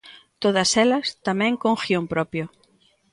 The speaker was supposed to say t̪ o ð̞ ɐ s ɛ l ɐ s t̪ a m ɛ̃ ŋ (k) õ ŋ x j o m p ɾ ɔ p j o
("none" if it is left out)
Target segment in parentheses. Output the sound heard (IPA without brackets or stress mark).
k